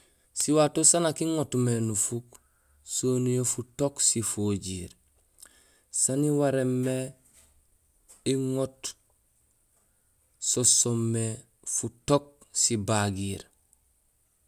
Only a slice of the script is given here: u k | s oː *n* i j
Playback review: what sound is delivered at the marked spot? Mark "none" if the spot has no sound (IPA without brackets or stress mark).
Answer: n